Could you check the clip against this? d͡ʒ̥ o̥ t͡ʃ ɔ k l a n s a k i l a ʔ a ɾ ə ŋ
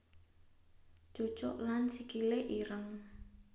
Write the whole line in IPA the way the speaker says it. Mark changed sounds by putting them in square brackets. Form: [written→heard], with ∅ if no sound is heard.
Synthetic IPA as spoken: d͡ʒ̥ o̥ t͡ʃ ɔ [k→ʔ] l a n s [a→i] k i l [a→e] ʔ [a→i] ɾ ə ŋ